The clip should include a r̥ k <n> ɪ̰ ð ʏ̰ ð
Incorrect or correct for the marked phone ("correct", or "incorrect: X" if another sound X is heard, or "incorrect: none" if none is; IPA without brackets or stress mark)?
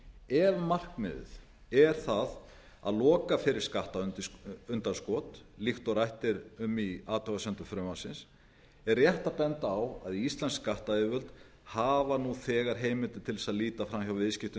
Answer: incorrect: m